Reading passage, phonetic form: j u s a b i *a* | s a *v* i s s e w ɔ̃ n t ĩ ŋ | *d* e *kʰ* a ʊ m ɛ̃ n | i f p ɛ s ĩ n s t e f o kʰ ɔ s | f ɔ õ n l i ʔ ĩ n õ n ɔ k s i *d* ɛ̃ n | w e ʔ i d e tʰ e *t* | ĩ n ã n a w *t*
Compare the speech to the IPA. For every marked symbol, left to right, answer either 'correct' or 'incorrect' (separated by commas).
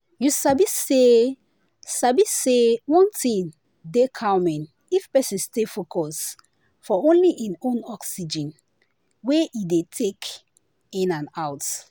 incorrect, incorrect, correct, correct, incorrect, incorrect, correct